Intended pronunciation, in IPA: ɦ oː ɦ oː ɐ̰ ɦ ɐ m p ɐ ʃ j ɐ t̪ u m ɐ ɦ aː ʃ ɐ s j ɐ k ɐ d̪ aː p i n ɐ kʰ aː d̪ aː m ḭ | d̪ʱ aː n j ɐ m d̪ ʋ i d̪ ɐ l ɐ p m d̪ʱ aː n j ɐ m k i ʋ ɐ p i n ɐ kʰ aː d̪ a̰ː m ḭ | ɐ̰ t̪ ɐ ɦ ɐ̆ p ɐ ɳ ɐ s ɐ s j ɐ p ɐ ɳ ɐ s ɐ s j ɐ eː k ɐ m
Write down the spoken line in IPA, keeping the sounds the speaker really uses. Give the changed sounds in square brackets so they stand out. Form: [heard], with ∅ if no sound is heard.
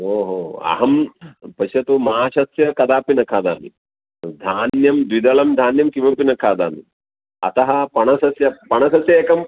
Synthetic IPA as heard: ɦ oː ɦ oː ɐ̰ ɦ ɐ m p ɐ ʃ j ɐ t̪ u m ɐ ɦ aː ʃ ɐ s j ɐ k ɐ d̪ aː p i n ɐ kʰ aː d̪ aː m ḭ | d̪ʱ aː n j ɐ m d̪ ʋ i d̪ ɐ l ɐ [∅] m d̪ʱ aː n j ɐ m k i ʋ ɐ p i n ɐ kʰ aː d̪ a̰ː m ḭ | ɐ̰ t̪ ɐ ɦ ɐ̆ p ɐ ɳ ɐ s ɐ s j ɐ p ɐ ɳ ɐ s ɐ s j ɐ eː k ɐ m